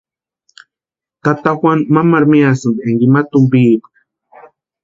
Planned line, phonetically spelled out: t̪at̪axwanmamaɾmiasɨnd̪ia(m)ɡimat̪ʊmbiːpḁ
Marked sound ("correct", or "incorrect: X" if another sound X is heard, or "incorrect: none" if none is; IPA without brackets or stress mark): incorrect: ŋ